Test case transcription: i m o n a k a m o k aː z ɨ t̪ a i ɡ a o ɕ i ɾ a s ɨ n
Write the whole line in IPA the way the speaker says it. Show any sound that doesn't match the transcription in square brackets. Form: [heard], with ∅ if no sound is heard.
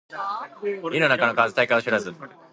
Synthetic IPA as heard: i [n] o n a k a [n] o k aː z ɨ t̪ a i [k] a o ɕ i ɾ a [z] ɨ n